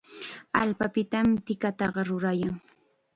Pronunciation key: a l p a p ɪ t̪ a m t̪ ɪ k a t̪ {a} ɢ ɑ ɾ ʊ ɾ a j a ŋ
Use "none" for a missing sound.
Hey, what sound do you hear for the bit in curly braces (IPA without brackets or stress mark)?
ɑ